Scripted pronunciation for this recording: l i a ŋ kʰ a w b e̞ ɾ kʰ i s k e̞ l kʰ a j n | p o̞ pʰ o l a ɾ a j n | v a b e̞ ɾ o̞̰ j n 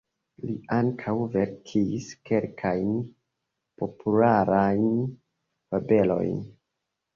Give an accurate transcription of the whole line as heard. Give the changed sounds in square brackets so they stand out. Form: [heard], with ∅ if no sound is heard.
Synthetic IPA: l i a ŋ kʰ a w [v] e̞ ɾ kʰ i s k e̞ l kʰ a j n | p o̞ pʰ [u] l a ɾ a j n | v a b e̞ [l] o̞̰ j n